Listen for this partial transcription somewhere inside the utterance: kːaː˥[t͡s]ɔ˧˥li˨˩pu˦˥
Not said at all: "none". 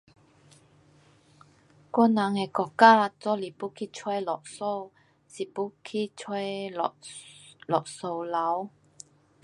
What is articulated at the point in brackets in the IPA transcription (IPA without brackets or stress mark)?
t͡s